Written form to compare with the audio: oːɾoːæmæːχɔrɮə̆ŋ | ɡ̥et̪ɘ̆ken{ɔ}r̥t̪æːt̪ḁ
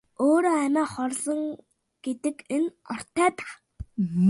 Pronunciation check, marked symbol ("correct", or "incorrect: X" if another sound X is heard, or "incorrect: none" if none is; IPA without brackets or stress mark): correct